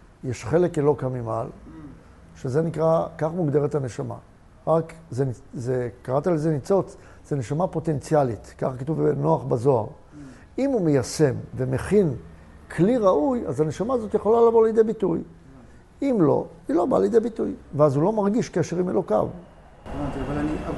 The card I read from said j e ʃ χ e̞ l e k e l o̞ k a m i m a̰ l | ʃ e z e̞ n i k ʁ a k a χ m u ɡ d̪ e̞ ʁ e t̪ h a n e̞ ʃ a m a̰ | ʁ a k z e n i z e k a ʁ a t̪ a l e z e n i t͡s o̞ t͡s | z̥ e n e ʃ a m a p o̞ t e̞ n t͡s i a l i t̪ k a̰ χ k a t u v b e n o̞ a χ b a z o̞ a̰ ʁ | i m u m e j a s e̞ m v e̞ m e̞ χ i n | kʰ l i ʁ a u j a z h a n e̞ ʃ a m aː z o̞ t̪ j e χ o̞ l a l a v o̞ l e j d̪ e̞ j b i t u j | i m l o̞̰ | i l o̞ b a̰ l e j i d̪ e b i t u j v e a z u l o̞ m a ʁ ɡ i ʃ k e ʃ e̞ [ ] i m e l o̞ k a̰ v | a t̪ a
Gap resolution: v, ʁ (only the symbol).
ʁ